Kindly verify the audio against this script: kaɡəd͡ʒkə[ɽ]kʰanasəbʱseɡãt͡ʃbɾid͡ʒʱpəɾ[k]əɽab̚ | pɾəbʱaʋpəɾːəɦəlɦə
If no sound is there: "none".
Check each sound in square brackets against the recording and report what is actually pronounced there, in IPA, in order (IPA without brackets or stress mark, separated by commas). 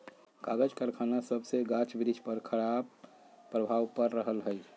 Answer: ɾ, kʰ